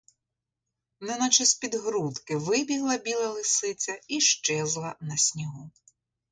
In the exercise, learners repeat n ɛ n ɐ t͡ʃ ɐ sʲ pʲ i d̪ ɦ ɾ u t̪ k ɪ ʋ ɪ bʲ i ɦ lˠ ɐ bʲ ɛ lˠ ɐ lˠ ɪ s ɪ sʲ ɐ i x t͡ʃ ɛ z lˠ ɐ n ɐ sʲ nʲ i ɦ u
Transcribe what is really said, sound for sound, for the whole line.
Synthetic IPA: n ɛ n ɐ t͡ʃ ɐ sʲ pʲ i d̪ ɦ ɾ u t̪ k ɪ ʋ ɪ bʲ i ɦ lˠ ɐ bʲ i lˠ ɐ lˠ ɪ s ɪ t͡sʲ ɐ i ʃ t͡ʃ ɛ z lˠ ɐ n ɐ sʲ nʲ i ɦ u